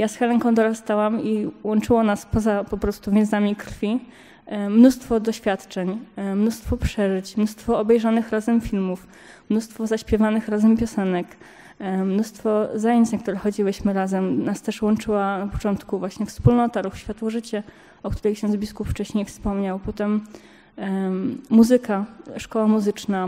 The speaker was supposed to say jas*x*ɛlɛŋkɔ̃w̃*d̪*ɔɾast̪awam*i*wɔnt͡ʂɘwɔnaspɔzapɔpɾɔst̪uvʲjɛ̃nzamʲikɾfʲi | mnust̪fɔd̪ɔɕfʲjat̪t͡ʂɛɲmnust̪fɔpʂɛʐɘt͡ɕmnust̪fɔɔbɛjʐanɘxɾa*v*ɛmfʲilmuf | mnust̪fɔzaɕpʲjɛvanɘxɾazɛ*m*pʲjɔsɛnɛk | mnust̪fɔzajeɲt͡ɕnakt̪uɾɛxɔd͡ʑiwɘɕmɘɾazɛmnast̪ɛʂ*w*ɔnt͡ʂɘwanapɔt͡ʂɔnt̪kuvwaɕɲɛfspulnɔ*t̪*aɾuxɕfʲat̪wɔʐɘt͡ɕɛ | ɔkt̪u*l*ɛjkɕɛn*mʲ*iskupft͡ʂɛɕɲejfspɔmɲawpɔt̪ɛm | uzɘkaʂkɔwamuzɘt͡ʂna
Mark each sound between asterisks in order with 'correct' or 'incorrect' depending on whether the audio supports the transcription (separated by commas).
correct, correct, correct, incorrect, correct, correct, correct, incorrect, incorrect